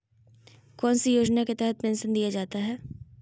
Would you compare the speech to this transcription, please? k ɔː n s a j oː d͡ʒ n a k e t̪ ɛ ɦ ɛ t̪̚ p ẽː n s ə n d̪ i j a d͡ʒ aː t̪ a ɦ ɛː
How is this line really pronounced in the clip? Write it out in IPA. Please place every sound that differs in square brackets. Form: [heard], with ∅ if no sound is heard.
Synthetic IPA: k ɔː n s [i] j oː d͡ʒ n a k e t̪ ɛ ɦ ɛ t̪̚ p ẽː n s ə n d̪ i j a d͡ʒ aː t̪ a ɦ ɛː